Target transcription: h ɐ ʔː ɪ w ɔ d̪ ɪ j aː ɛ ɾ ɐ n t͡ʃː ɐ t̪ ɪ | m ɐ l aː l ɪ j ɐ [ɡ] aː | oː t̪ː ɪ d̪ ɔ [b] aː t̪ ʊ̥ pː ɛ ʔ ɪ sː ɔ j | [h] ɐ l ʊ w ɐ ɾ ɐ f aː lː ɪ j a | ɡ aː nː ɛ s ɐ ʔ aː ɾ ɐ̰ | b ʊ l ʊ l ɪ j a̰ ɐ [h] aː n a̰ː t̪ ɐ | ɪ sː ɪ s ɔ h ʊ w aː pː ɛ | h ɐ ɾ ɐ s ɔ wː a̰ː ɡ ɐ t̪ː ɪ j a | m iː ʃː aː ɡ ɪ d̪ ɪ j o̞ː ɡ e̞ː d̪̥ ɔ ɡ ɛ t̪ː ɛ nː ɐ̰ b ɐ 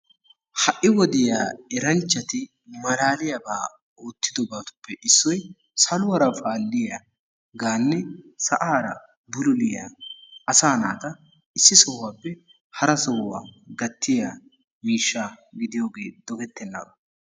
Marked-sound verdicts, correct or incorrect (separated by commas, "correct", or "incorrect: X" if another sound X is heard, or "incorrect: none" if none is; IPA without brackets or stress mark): incorrect: b, correct, incorrect: s, incorrect: s